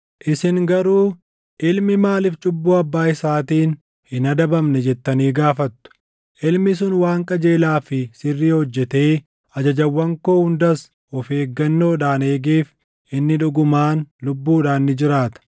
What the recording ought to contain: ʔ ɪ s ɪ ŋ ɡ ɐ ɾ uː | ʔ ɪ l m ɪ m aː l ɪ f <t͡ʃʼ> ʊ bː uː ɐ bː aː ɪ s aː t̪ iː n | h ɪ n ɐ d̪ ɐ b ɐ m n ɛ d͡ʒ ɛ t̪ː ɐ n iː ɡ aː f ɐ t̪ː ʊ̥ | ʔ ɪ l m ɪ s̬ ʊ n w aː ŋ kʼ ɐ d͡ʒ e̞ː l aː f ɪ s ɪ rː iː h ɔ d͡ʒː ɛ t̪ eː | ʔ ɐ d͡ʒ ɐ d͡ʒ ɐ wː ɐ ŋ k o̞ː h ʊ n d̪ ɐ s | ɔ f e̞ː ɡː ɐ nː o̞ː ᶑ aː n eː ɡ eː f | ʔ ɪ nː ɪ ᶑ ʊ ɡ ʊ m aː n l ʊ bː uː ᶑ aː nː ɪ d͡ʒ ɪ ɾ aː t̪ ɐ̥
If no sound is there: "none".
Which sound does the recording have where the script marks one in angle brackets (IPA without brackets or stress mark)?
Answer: t͡ʃʼ